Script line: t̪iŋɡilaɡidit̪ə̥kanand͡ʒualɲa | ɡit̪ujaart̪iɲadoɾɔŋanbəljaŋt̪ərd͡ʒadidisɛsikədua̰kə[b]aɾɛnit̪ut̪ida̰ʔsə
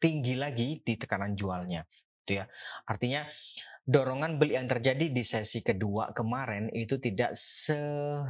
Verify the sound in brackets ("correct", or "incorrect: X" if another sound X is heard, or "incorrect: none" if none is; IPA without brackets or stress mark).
incorrect: m